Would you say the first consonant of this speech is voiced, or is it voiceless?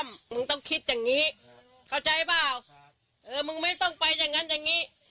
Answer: voiced